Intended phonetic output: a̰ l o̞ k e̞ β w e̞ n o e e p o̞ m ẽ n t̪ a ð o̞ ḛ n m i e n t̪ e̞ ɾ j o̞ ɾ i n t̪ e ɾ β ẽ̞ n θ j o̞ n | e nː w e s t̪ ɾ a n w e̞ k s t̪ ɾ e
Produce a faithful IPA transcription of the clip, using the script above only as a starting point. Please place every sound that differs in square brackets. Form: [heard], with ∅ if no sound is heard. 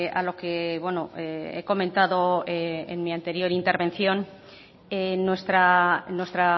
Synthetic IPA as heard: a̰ l o̞ k e̞ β w e̞ n o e e [k] o̞ m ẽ n t̪ a ð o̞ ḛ n m i [a] n t̪ e̞ ɾ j o̞ ɾ i n t̪ e ɾ β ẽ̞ n θ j o̞ n | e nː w e s t̪ ɾ a n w e̞ [∅] s t̪ ɾ [a]